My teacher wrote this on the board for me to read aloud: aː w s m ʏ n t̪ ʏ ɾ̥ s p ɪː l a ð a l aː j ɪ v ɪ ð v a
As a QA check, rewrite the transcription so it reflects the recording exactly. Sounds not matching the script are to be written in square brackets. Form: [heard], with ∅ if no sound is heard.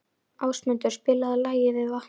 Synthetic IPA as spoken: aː w s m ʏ n t̪ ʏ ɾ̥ s p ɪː l a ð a l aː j ɪ v ɪ ð v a